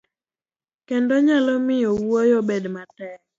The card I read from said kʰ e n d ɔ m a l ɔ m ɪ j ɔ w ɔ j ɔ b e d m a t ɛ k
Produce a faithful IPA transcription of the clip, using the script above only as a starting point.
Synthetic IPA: k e n d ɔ ɲ a l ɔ m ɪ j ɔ w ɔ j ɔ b e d m a t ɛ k